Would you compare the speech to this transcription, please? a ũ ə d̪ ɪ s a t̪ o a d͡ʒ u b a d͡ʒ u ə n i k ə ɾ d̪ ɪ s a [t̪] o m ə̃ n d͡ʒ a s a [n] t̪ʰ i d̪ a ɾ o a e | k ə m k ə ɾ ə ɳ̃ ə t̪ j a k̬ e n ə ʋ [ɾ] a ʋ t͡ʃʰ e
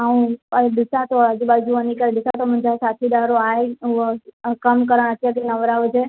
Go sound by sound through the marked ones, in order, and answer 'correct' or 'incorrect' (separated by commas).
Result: correct, incorrect, correct